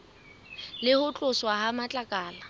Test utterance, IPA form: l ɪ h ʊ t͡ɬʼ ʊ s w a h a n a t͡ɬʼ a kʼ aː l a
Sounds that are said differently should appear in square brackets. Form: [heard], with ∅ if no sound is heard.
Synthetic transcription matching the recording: l ɪ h ʊ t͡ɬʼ ʊ s w a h a [m] a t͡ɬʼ a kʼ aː l a